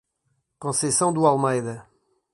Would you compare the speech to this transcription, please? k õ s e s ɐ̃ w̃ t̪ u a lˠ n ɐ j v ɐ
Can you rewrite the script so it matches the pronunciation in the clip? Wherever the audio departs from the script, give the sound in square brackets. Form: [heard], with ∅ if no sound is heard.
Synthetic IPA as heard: k õ s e s ɐ̃ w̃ [d̪] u a lˠ [m] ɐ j [ð] ɐ